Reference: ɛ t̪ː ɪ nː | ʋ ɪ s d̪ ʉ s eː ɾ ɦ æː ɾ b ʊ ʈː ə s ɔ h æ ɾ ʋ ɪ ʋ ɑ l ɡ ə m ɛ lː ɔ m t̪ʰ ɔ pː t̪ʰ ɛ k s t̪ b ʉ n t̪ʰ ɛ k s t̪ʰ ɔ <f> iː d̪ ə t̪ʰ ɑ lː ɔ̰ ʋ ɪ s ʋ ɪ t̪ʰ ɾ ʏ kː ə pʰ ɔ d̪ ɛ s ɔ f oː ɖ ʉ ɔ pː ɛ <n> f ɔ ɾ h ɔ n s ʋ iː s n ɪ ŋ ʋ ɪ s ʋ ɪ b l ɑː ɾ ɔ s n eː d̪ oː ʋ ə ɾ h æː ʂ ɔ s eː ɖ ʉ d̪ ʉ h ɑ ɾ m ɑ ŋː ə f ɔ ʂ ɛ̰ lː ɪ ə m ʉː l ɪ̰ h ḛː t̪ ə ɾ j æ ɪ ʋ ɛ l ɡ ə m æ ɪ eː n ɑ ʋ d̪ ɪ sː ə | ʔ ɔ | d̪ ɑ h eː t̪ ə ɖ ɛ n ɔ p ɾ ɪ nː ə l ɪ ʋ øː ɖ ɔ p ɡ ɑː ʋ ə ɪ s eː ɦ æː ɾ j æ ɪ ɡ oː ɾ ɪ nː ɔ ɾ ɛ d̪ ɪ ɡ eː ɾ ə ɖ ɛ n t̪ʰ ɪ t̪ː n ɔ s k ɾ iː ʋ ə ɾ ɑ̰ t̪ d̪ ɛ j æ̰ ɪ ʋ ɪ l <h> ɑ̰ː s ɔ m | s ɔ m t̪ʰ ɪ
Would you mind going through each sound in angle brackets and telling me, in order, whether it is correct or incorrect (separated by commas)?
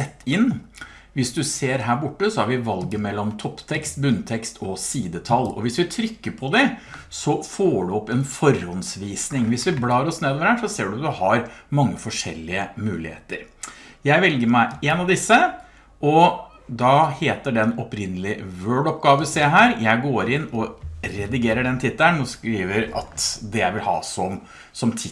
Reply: incorrect, correct, correct